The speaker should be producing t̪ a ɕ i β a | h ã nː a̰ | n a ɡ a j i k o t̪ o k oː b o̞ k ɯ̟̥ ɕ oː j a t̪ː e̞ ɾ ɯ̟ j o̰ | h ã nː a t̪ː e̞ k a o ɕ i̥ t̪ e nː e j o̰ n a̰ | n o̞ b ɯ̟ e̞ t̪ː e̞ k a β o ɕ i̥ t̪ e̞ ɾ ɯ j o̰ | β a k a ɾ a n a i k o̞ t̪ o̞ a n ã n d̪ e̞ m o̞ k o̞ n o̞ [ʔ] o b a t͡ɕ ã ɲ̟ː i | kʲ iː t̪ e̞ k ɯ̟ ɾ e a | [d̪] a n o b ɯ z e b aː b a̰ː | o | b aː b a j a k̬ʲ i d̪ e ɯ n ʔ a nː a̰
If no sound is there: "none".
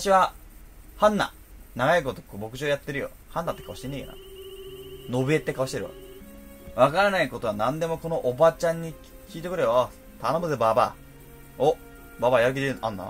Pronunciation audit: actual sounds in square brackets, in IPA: ʔ, t̪

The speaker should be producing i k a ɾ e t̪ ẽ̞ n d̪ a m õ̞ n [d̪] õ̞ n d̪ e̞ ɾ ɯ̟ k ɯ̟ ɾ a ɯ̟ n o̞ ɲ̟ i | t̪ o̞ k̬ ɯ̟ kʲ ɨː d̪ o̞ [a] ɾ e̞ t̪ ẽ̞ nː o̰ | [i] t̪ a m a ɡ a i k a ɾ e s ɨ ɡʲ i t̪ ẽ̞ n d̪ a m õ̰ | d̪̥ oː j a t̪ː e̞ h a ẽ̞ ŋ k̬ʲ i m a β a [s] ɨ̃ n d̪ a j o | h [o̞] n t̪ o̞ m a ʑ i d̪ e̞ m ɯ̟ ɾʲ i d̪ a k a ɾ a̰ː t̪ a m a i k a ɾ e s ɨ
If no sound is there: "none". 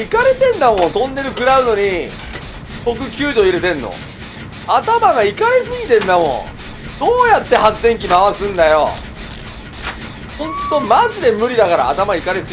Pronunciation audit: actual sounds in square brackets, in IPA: t̪, i, a, s, õ̞

